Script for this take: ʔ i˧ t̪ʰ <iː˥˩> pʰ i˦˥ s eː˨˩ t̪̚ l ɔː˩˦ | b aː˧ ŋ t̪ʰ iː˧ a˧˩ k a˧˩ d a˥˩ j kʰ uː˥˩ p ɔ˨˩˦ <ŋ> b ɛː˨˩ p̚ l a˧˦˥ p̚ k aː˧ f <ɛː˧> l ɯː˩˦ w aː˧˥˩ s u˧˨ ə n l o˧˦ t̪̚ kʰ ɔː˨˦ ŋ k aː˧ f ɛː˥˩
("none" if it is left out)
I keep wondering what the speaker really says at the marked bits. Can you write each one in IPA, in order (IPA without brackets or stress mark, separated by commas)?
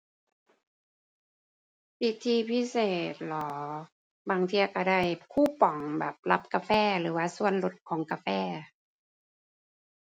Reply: iː˧, ŋ, ɛː˥˩